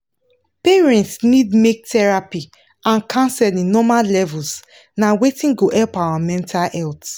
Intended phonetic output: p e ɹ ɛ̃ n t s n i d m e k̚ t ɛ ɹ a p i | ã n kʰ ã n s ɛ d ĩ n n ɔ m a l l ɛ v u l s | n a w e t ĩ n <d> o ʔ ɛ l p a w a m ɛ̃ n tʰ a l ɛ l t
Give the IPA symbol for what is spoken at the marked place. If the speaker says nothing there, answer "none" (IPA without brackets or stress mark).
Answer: ɡ